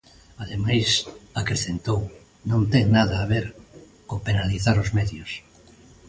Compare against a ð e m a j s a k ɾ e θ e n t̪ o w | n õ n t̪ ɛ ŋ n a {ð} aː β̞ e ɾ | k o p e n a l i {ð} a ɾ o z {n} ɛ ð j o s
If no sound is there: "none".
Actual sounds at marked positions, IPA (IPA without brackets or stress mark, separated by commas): ð, θ, m